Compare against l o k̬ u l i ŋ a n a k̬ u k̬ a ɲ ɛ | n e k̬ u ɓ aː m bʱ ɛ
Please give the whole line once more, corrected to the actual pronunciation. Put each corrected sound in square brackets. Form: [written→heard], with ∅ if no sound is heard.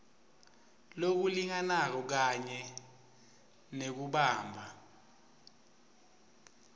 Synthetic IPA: l o k̬ u l i ŋ a n a k̬ [u→ɔ] k̬ a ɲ ɛ | n e k̬ u ɓ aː m bʱ [ɛ→a]